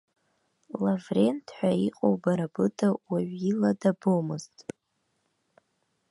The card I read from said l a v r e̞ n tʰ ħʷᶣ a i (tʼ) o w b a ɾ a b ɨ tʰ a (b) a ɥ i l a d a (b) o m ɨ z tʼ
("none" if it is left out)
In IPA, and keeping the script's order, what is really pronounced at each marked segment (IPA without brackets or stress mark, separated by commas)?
qʼ, w, b